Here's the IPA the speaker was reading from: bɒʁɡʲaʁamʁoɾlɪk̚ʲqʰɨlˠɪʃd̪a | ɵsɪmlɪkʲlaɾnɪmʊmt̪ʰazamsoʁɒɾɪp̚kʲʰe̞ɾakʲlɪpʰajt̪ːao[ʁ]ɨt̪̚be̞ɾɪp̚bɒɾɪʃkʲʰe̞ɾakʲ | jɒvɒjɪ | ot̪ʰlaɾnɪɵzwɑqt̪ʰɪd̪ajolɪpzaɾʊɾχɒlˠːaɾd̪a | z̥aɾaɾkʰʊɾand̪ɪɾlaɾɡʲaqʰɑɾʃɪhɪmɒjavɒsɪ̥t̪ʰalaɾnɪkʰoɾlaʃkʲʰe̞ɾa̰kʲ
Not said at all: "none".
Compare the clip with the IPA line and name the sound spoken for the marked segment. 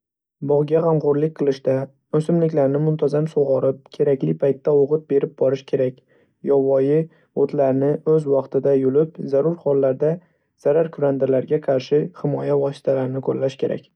ʁ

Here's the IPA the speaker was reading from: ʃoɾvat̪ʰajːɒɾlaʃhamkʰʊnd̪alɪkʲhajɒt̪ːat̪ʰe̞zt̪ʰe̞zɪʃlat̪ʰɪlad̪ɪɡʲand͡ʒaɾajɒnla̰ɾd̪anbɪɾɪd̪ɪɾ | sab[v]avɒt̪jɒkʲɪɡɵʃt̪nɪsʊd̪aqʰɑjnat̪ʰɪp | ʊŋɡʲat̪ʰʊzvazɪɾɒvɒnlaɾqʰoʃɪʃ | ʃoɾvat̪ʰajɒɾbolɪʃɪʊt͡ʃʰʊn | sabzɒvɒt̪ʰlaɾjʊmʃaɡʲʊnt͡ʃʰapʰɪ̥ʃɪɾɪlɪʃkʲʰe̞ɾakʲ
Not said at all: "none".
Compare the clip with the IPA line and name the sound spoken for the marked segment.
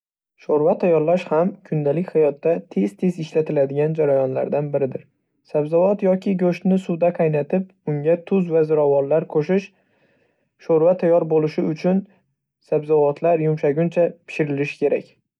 z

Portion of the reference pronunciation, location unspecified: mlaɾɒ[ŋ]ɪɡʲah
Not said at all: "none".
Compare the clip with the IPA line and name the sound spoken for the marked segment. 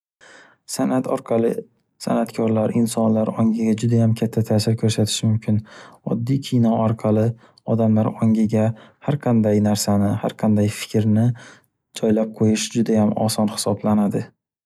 ŋ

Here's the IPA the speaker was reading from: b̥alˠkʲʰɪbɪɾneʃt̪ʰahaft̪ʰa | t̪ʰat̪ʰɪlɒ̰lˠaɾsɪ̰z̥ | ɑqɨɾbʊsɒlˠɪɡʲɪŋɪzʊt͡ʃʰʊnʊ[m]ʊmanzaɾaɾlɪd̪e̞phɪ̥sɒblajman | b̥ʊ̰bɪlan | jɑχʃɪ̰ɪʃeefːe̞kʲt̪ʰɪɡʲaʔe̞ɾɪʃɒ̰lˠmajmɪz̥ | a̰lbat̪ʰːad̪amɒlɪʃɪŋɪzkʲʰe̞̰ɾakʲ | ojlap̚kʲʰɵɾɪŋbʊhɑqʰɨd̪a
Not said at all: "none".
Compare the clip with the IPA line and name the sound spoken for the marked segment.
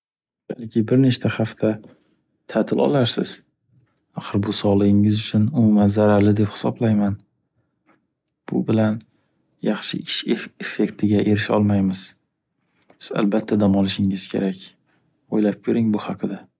m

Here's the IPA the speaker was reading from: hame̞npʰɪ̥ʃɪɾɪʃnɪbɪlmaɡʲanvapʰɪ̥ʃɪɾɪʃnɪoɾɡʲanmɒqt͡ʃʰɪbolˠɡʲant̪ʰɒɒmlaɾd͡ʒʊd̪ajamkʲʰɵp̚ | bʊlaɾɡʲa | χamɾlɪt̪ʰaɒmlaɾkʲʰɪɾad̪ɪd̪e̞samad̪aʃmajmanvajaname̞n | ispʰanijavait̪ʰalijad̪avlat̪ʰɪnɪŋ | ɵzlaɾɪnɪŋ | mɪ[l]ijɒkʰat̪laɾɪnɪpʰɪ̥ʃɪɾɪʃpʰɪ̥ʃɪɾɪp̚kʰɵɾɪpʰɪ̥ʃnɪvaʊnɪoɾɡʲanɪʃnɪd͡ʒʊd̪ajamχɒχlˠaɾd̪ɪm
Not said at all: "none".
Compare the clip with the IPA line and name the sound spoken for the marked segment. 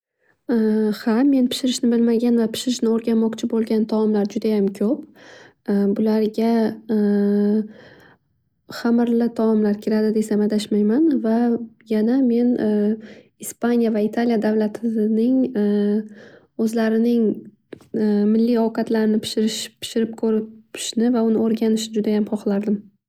lː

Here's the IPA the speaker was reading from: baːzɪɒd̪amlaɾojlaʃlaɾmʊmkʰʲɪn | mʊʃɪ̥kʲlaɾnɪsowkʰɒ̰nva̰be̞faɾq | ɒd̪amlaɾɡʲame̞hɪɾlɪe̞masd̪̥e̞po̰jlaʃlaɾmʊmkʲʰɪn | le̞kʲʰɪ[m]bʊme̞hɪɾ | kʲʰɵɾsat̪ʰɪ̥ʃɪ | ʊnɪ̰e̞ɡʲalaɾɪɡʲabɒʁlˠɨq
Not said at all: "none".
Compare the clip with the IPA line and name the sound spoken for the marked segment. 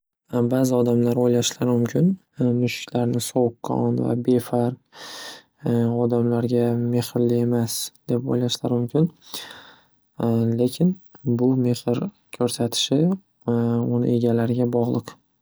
n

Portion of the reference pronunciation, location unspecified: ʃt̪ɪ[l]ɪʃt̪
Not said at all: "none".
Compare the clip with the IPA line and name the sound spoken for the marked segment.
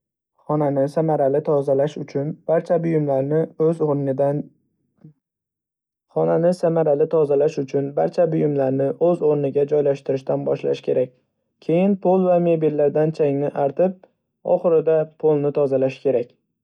ɾ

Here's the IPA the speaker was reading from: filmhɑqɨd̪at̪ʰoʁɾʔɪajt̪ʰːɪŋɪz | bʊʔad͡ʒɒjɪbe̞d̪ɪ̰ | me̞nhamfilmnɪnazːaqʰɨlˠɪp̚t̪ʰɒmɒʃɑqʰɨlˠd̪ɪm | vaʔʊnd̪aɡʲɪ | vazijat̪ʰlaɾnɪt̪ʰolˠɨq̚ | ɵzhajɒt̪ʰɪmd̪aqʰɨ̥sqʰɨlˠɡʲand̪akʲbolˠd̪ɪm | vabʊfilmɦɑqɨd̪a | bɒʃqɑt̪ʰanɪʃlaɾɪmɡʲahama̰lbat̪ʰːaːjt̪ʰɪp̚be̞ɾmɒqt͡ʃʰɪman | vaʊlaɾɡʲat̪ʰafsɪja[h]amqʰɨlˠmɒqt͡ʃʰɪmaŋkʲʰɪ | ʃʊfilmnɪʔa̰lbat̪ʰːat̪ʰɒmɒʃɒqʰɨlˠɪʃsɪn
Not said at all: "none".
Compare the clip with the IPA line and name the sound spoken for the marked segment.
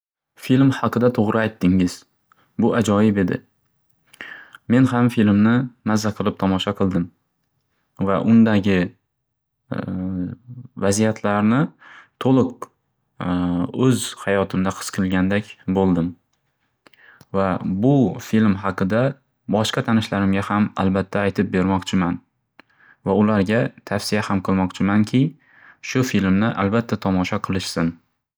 h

